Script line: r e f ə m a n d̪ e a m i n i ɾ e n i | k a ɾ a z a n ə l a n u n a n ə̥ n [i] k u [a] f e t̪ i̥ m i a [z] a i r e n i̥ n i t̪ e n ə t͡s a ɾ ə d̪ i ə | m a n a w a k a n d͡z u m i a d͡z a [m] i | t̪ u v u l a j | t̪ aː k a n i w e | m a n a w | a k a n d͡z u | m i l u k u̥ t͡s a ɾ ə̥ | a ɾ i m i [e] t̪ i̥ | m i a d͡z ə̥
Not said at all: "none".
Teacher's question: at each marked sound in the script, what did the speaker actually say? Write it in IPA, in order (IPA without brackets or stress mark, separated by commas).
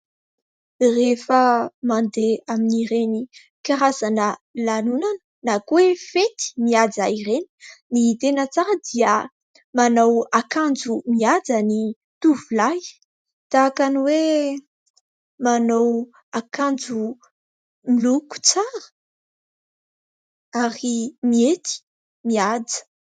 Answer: a, e, d͡z, n, e